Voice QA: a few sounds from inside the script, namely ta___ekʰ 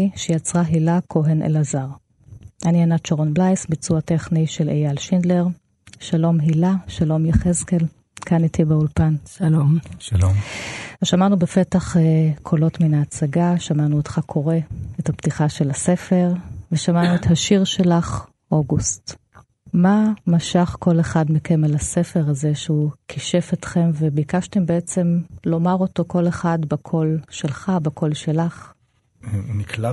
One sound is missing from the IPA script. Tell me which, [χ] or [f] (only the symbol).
χ